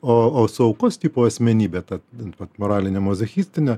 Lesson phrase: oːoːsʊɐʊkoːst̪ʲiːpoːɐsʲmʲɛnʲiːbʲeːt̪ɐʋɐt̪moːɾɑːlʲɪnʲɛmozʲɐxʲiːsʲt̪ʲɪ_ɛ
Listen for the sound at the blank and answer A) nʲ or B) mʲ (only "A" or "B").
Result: A